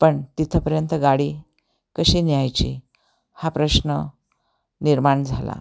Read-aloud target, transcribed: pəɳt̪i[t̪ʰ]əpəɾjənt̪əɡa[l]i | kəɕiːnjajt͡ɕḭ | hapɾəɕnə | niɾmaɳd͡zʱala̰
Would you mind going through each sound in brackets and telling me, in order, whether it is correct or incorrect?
correct, incorrect: ɽ

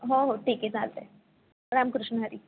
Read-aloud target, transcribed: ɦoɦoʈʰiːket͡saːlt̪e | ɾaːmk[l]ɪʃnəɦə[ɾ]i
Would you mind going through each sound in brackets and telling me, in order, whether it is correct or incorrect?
incorrect: ɾ, correct

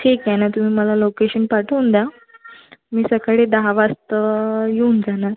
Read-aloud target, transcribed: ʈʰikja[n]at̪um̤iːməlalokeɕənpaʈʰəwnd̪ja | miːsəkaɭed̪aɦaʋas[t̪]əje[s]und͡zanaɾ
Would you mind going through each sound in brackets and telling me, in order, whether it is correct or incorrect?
correct, correct, incorrect: none

